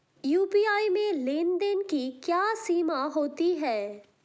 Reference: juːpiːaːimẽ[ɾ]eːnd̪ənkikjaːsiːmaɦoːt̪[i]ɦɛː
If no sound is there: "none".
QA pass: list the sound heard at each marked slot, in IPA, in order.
l, i

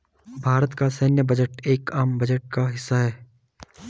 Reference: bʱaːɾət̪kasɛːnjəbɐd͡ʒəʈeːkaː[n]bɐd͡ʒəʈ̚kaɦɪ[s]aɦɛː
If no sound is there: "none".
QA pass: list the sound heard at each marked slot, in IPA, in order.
m, sː

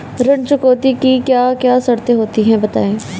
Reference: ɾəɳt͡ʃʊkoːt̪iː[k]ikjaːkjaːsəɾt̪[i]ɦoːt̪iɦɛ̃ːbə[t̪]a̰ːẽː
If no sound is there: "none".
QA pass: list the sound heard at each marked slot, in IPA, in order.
k, e, t̪

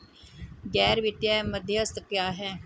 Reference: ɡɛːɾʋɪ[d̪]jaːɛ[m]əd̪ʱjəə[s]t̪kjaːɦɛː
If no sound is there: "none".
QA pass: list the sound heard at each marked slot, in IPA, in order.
t̪, m, s

